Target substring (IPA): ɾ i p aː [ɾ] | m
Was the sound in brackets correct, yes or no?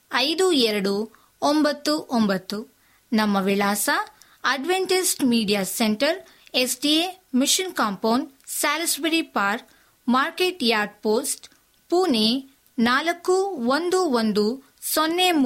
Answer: yes